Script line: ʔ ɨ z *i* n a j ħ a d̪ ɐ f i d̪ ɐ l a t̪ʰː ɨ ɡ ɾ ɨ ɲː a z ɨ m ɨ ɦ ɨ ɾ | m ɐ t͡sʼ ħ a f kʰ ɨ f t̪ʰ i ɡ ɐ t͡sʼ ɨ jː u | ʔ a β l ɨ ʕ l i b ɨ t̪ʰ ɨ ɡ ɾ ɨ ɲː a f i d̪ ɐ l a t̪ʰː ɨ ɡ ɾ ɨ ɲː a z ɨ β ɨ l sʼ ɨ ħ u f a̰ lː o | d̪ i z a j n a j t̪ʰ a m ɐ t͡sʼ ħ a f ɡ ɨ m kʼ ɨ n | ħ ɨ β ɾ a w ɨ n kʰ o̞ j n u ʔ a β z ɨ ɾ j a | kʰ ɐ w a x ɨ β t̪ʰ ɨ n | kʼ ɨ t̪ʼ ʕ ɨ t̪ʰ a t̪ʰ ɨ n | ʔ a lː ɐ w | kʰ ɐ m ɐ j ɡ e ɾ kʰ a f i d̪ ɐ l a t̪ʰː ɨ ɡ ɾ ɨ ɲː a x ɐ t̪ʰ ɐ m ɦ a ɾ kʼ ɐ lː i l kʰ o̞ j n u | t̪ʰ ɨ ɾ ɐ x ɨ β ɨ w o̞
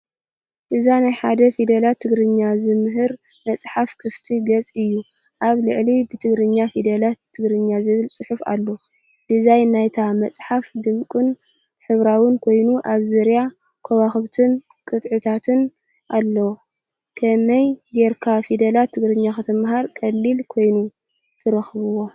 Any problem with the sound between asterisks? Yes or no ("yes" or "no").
yes